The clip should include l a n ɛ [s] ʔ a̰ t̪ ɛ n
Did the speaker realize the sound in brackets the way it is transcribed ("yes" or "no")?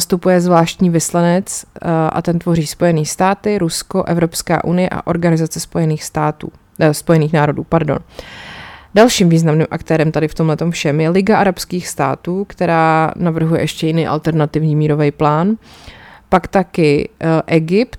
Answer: no